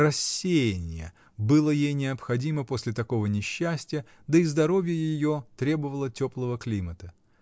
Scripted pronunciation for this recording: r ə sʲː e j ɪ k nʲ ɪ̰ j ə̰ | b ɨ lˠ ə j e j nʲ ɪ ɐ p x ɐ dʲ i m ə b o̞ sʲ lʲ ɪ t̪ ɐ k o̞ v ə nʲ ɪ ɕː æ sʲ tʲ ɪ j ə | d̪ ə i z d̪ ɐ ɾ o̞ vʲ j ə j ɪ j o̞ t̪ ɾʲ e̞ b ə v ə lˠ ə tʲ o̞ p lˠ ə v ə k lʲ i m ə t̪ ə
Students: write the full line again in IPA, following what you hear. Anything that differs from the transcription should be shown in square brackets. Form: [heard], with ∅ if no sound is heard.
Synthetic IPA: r [ɐ] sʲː e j ɪ [∅] nʲ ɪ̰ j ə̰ | b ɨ lˠ ə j e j nʲ ɪ ɐ p x ɐ dʲ i m ə [p] o̞ sʲ lʲ ɪ t̪ ɐ k o̞ v ə nʲ ɪ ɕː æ sʲ tʲ ɪ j ə | d̪ ə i z d̪ ɐ ɾ o̞ vʲ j ə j ɪ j o̞ t̪ ɾʲ e̞ b ə v ə lˠ ə tʲ o̞ p lˠ ə v ə k lʲ i m ə t̪ ə